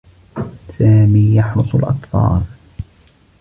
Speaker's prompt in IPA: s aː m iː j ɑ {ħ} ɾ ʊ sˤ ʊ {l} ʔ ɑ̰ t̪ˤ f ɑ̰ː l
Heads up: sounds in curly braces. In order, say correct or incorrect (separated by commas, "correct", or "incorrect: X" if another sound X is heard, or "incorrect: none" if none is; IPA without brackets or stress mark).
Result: correct, correct